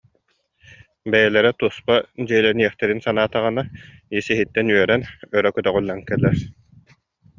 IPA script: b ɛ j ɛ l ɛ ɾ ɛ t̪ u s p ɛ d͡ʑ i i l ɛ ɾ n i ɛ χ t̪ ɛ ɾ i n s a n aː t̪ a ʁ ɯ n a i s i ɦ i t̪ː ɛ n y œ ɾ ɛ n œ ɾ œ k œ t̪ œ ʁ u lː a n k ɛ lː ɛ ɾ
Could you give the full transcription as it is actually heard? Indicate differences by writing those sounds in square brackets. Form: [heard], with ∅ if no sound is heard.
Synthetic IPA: b ɛ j ɛ l ɛ ɾ ɛ t̪ u s p [a] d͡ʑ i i l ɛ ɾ n i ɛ χ t̪ ɛ ɾ i n s a n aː t̪ a ʁ ɯ n a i s i ɦ i t̪ː ɛ n y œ ɾ ɛ n œ ɾ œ k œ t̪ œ ʁ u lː a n k ɛ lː ɛ ɾ